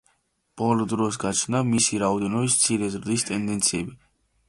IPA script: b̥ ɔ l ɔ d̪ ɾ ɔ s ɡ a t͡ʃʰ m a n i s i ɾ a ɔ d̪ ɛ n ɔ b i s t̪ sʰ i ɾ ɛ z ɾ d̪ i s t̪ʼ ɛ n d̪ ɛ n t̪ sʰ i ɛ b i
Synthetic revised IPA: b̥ ɔ l ɔ d̪ ɾ ɔ s ɡ a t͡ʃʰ n a m i s i ɾ a ɔ d̪ ɛ n ɔ b i s t̪ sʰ i ɾ ɛ z ɾ d̪ i s t̪ʼ ɛ n d̪ ɛ n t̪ sʰ i ɛ b i